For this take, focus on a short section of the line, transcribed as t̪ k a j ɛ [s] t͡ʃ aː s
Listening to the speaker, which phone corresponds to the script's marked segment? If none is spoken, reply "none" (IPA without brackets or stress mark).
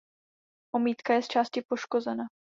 s